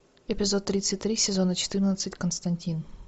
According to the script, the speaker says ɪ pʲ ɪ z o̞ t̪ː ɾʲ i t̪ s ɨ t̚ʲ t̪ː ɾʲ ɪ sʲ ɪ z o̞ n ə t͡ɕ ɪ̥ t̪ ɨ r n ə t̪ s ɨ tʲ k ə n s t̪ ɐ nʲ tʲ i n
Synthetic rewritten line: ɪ pʲ ɪ z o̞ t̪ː ɾʲ i t̪ s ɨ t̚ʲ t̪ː ɾʲ i sʲ ɪ z o̞ n ə t͡ɕ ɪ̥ t̪ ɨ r n ə t̪ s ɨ tʲ k ə n s t̪ ɐ nʲ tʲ i n

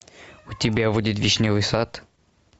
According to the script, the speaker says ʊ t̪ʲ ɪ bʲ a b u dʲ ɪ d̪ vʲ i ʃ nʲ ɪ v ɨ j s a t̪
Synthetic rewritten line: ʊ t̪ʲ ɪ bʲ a v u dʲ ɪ t̪ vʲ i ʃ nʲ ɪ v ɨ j s a t̪

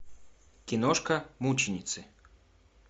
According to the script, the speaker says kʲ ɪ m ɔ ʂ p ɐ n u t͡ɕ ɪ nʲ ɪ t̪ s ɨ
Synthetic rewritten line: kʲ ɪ n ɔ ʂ k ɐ m u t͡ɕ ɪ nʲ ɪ t̪ s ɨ

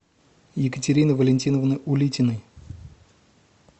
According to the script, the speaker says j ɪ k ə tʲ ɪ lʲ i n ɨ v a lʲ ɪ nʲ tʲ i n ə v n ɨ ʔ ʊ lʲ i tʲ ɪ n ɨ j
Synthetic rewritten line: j ɪ k ə tʲ ɪ ɾʲ i n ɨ v ə lʲ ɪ nʲ tʲ i n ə v n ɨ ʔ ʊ lʲ i tʲ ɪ n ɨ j

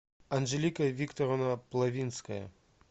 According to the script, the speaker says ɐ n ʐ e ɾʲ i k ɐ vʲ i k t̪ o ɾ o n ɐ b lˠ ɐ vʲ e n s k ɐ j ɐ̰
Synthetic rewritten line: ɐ n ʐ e lʲ i k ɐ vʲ i k t̪ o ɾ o n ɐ p lˠ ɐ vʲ i n s k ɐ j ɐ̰

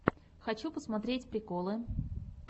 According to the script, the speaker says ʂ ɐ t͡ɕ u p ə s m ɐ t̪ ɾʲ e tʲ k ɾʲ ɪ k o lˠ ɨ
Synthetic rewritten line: x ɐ t͡ɕ u p ə s m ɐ t̪ ɾʲ e tʲ p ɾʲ ɪ k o lˠ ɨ

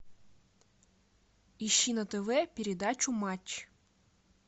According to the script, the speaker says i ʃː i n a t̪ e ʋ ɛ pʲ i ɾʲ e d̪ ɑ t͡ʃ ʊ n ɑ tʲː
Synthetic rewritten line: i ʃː i n ɐ t̪ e ʋ ɛ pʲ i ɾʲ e d̪ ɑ t͡ʃ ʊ m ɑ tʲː

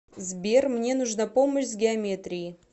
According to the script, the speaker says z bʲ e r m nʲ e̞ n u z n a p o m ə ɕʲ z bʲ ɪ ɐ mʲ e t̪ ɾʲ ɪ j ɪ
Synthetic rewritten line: z bʲ e r m nʲ e̞ n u ʐ n a p o m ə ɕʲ z ɡʲ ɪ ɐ mʲ e t̪ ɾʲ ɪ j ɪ

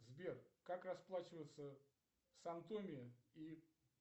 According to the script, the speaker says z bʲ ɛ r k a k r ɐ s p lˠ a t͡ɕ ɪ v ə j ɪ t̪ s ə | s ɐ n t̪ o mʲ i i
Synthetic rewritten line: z bʲ e r k a k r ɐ s p lˠ a t͡ɕ ɪ v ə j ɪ t̪ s ə | s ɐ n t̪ o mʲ ɪ i

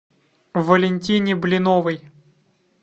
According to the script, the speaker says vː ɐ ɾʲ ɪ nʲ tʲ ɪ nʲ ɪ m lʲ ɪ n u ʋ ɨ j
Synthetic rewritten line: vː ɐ lʲ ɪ nʲ tʲ i nʲ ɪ b lʲ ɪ n ɔ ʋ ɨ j

